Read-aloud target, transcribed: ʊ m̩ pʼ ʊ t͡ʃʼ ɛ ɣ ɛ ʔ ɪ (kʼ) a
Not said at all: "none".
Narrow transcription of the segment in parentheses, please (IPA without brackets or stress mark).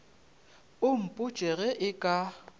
kʼ